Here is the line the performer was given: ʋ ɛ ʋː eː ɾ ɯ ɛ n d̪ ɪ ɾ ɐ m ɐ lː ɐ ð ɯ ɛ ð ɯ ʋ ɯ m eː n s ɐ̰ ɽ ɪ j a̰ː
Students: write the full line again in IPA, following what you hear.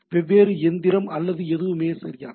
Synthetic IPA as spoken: ʋ ɛ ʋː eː ɾ ɯ ɛ n d̪ ɪ ɾ ɐ m ɐ lː ɐ ð ɯ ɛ ð ɯ ʋ ɯ m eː s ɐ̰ ɾ ɪ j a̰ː